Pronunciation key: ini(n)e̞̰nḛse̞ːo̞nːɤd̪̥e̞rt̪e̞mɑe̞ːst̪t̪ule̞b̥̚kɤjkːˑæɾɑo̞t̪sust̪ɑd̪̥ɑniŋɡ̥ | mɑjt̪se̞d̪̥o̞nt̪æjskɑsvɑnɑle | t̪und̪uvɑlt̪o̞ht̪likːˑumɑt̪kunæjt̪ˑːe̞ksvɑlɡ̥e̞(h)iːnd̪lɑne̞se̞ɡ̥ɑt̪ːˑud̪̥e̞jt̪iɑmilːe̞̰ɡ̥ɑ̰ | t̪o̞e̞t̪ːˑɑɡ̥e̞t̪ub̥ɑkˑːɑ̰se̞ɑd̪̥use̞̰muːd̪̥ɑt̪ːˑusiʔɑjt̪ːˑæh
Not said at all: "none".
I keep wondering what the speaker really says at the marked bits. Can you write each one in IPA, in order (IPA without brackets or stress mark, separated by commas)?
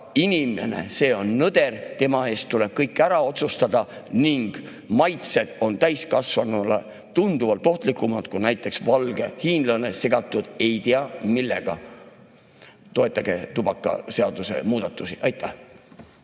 m, h